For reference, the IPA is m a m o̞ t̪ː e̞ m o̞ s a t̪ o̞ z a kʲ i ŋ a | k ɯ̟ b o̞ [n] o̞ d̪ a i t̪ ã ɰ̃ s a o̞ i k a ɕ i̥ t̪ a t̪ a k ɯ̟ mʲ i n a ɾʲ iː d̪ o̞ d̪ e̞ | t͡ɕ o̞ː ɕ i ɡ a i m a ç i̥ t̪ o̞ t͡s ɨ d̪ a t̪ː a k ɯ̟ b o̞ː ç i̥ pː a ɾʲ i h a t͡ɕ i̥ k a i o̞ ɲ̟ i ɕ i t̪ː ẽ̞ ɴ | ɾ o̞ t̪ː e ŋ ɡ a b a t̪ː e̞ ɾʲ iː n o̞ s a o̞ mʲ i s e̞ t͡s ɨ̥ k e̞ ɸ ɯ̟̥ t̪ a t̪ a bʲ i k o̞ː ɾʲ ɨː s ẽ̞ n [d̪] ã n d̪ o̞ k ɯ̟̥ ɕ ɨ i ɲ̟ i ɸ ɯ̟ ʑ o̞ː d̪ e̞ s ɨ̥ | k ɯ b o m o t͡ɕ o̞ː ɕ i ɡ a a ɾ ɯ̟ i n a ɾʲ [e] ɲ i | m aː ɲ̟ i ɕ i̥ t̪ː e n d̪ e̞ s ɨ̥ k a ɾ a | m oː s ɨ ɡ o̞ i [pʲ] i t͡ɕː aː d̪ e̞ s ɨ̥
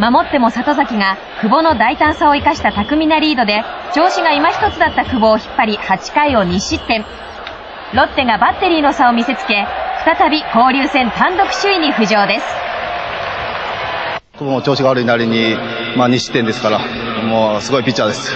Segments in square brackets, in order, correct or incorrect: correct, incorrect: t̪, incorrect: i, correct

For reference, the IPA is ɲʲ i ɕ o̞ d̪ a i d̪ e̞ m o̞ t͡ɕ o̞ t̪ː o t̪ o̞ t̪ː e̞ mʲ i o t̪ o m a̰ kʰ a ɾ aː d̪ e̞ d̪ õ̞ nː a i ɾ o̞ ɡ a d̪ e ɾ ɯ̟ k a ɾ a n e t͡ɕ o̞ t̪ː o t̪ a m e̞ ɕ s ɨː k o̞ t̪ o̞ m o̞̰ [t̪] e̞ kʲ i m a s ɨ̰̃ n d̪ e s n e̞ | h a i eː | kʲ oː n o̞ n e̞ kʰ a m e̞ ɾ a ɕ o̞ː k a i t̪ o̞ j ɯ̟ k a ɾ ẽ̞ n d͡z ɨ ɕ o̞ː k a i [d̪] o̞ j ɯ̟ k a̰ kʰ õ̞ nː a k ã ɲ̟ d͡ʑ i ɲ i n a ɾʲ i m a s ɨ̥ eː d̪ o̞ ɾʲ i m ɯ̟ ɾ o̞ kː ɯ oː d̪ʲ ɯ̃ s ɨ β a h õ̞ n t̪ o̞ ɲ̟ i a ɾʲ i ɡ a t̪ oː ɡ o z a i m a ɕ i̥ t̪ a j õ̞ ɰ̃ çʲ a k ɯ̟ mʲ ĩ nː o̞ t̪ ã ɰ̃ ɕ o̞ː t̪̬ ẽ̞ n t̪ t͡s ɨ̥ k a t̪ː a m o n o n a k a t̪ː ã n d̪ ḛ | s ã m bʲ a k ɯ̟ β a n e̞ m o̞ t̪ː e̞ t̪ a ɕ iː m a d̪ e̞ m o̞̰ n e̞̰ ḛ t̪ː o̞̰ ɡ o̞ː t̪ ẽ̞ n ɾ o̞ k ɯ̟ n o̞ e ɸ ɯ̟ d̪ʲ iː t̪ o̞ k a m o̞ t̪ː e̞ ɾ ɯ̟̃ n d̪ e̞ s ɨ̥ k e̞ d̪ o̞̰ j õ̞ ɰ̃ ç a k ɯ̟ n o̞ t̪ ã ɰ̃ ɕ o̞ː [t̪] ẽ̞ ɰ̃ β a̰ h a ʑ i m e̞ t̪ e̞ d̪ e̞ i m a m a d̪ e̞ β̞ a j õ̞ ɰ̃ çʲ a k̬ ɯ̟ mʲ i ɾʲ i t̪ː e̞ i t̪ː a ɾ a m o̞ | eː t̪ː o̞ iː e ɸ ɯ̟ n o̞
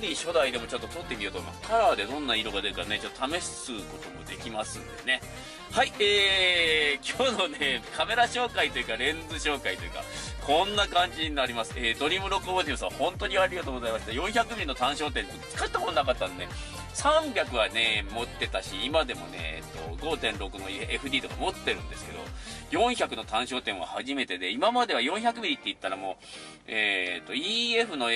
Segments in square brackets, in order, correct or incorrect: incorrect: d̪, incorrect: t̪, correct

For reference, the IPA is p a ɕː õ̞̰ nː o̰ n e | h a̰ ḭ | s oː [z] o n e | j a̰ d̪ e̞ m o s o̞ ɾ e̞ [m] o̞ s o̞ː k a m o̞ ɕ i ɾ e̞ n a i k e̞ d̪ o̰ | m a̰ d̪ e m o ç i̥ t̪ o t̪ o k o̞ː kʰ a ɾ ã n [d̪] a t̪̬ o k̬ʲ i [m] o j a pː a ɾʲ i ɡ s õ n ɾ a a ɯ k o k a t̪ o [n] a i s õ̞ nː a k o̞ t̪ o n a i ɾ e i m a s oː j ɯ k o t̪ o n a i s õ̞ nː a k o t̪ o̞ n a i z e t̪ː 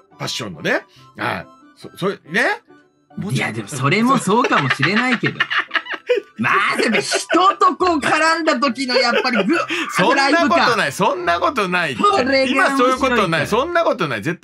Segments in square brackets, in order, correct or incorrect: incorrect: s, correct, correct, incorrect: n, correct

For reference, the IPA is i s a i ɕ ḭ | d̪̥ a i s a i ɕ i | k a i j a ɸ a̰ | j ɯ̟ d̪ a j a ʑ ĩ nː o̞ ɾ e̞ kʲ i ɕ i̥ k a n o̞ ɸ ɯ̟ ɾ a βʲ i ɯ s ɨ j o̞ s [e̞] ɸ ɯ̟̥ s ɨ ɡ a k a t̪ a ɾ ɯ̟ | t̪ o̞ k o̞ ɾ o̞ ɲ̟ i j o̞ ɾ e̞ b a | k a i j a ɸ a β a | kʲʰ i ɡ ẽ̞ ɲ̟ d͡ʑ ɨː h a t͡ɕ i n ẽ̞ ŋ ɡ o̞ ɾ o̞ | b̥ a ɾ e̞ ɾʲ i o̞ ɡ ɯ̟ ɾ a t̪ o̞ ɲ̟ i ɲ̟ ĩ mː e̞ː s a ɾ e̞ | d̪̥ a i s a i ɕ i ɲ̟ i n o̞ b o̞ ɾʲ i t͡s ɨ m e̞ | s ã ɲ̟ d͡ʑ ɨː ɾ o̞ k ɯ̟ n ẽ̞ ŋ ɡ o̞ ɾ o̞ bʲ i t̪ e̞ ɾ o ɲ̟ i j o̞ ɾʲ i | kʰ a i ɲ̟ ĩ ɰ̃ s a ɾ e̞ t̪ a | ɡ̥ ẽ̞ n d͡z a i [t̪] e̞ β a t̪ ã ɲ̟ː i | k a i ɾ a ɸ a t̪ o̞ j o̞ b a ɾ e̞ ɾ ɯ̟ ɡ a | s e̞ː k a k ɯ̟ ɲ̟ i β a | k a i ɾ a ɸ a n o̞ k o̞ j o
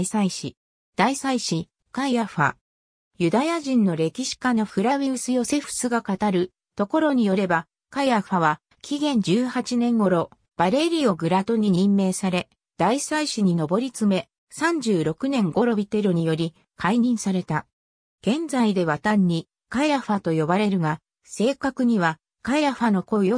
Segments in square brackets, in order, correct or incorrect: correct, incorrect: d̪

